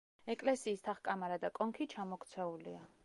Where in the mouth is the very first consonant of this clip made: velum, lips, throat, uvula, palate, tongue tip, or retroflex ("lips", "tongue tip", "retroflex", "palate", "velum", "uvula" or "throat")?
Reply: velum